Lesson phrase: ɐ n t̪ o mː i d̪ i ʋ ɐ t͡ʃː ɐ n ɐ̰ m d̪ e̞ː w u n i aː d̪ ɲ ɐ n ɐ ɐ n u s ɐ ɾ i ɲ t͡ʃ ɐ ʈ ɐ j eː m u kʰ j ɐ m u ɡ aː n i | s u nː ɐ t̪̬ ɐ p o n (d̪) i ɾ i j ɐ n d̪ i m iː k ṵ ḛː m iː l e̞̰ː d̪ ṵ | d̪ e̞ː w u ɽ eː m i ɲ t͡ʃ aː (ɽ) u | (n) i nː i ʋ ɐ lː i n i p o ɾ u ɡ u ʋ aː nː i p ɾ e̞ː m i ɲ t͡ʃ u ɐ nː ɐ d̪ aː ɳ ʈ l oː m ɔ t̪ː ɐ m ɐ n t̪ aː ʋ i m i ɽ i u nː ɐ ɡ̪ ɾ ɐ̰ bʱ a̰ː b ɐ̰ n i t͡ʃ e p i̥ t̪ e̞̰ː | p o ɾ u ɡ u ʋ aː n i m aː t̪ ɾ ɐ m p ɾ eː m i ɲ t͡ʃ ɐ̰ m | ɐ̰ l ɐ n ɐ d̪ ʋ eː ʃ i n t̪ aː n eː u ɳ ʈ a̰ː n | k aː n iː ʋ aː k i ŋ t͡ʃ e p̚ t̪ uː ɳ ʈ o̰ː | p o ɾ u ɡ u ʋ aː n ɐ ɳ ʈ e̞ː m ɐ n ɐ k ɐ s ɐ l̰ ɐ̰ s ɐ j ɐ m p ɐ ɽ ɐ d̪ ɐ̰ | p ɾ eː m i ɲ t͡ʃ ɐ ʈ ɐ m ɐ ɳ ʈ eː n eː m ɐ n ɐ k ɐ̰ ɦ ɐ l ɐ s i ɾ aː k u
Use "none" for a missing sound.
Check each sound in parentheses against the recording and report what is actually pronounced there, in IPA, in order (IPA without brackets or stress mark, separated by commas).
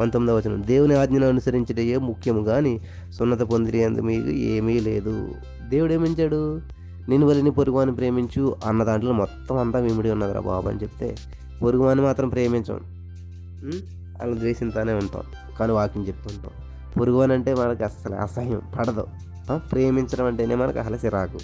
d̪, ɽ, n